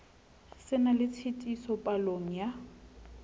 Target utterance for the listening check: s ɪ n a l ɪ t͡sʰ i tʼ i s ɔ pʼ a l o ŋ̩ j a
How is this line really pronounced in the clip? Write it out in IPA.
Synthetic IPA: s ɪ n a l ɪ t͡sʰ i tʼ i s ɔ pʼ a l o ŋ̩ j a